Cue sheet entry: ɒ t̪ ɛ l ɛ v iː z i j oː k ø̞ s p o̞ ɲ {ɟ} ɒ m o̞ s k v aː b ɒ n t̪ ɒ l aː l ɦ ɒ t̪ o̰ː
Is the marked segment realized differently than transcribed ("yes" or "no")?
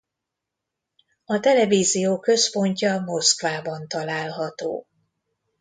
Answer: yes